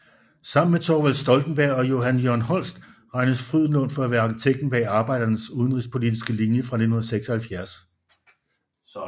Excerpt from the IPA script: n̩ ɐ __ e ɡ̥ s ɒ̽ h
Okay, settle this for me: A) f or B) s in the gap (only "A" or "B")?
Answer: B